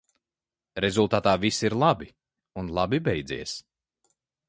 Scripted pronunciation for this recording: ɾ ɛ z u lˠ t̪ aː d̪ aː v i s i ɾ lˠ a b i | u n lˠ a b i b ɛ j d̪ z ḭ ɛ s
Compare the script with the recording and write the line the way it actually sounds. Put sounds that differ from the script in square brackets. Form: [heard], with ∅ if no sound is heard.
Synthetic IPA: ɾ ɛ z u lˠ t̪ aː [t̪] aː v i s i ɾ lˠ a b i | u n lˠ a b i b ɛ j d̪ z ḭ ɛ s